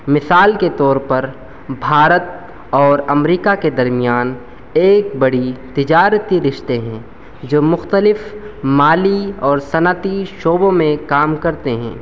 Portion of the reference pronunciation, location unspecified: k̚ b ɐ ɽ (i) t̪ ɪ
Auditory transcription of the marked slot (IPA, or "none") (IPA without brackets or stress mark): i